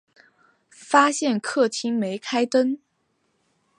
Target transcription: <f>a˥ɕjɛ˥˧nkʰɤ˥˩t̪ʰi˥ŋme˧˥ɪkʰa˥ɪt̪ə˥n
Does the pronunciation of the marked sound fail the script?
no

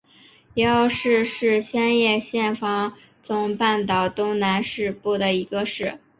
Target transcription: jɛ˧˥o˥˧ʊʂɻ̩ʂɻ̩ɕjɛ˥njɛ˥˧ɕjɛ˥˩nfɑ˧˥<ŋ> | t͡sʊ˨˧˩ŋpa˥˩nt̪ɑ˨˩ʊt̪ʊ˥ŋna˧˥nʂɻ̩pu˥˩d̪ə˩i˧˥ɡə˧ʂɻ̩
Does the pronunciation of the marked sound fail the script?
no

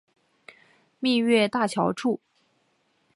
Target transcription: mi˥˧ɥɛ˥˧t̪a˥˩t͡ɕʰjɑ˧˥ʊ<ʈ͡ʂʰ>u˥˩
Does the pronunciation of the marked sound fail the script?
no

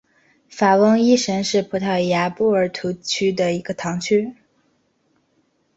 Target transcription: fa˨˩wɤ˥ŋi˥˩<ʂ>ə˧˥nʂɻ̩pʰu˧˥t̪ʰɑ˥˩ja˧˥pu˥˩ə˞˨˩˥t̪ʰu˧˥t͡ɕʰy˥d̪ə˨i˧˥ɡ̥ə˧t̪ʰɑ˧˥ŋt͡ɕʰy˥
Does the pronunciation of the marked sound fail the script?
no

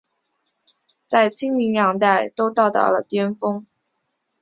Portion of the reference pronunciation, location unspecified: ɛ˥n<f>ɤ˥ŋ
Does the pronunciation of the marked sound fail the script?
no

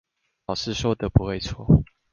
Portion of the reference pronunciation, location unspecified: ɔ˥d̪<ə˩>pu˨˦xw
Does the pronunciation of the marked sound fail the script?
yes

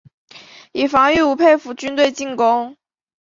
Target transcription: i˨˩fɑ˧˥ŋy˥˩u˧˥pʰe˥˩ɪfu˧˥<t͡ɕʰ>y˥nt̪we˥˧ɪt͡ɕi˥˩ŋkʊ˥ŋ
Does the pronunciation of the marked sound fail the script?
yes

